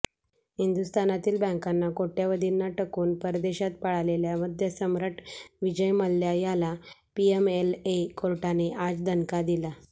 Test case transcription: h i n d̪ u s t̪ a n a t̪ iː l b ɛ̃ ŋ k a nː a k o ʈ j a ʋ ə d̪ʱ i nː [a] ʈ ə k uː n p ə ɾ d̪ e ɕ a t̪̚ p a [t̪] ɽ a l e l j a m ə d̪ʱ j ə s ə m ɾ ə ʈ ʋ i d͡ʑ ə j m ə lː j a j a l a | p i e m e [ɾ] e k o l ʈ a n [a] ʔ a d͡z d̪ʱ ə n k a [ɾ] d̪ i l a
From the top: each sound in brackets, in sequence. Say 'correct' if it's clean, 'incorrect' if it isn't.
correct, incorrect: none, incorrect: l, incorrect: e, incorrect: none

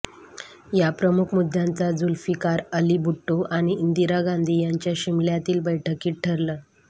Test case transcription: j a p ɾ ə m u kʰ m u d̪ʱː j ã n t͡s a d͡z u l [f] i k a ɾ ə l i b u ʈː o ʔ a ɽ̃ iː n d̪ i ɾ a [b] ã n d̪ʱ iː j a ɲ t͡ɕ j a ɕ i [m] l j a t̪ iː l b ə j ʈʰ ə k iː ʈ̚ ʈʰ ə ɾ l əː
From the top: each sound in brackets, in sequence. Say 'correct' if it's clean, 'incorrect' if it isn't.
correct, incorrect: ɡ, correct

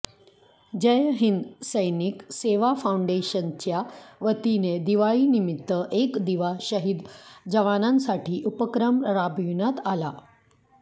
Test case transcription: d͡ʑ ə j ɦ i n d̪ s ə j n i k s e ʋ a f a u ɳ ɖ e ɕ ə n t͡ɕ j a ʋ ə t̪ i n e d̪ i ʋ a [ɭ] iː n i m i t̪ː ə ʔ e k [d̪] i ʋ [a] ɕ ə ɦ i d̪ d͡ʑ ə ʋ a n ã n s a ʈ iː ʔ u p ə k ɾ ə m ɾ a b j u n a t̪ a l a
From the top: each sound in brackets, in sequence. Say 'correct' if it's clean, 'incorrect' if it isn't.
correct, correct, correct

